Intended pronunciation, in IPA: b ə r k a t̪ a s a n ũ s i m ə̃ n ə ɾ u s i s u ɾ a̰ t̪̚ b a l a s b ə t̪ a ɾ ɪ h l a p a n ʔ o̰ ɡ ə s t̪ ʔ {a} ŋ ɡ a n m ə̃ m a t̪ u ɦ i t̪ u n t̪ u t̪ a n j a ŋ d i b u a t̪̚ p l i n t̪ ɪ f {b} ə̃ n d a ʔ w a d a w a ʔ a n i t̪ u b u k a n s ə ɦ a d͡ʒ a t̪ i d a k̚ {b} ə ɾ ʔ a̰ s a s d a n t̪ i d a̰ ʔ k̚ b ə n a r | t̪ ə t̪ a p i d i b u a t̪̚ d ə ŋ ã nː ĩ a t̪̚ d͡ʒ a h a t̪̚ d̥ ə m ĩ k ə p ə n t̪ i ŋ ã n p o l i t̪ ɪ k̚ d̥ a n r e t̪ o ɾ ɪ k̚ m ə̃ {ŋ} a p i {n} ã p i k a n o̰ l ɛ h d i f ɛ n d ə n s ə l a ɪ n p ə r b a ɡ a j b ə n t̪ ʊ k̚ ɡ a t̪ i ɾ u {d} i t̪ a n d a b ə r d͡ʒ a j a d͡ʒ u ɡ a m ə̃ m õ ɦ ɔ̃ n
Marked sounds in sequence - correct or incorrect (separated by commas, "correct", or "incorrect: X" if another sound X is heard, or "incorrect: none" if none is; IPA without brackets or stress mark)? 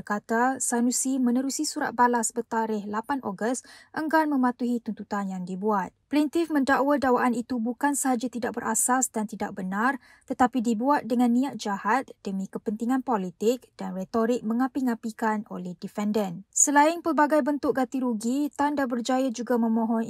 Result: incorrect: ə, incorrect: m, correct, correct, incorrect: ŋ, incorrect: ɡ